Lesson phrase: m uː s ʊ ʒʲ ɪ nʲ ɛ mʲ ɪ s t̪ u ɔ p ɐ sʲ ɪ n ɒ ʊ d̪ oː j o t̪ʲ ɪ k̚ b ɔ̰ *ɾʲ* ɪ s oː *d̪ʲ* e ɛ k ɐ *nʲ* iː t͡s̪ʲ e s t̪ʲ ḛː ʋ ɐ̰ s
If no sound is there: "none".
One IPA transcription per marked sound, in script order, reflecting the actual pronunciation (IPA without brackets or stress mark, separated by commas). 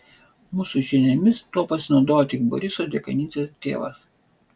ɾʲ, d̪ʲ, nʲ